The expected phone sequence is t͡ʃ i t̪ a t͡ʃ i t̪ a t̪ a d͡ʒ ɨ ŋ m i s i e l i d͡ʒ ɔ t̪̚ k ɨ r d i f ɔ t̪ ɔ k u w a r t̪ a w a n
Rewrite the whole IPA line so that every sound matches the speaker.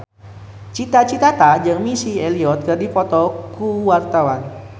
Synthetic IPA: t͡ʃ i t̪ a t͡ʃ i t̪ a t̪ a d͡ʒ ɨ ŋ m i s i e l i ɔ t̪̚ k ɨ r d i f ɔ t̪ ɔ k u w a r t̪ a w a n